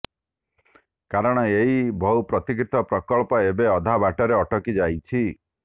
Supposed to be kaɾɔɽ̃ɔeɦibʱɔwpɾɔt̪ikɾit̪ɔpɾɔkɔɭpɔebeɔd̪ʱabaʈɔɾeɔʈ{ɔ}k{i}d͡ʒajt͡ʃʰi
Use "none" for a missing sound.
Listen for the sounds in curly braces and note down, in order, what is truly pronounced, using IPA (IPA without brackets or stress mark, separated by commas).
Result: ɔ, i